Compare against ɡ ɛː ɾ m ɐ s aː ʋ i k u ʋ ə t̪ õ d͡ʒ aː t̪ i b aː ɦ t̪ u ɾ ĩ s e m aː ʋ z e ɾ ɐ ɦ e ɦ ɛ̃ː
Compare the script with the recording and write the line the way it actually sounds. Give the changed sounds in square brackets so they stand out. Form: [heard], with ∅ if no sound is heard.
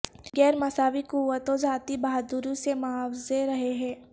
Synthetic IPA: ɡ ɛː ɾ m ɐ s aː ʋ i k u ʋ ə t̪ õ d͡ʒ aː t̪ i b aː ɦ [d̪] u ɾ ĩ s e m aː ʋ z e ɾ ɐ ɦ e ɦ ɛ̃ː